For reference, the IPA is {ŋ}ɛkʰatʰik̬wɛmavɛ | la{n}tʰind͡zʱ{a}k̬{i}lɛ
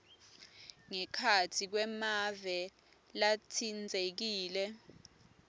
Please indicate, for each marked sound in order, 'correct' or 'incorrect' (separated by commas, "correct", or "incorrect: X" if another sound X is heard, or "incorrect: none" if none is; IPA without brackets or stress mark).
correct, incorrect: none, incorrect: e, incorrect: iː